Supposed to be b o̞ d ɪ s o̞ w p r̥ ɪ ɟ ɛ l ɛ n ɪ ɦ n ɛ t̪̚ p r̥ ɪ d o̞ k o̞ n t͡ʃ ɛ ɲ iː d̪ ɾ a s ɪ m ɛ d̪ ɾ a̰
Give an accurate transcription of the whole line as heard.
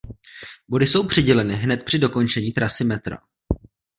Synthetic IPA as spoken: b o̞ d ɪ s o̞ w p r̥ ɪ ɟ ɛ l ɛ n ɪ ɦ n ɛ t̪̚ p r̥ ɪ d o̞ k o̞ n t͡ʃ ɛ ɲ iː t̪ ɾ a s ɪ m ɛ t̪ ɾ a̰